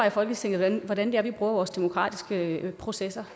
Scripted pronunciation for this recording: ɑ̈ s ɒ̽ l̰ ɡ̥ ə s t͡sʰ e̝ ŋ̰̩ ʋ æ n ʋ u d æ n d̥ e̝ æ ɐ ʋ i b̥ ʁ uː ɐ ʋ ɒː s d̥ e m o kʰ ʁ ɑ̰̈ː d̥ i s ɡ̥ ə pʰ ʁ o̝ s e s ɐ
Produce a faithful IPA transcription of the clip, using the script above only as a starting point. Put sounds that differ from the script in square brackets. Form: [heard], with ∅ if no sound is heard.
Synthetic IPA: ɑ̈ [f] ɒ̽ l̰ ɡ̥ ə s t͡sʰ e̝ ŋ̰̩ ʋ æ n ʋ [ɒ] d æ n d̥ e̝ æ ɐ ʋ i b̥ ʁ uː ɐ ʋ ɒː s d̥ e m o kʰ ʁ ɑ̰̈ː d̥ i s ɡ̥ ə pʰ ʁ o̝ s e s ɐ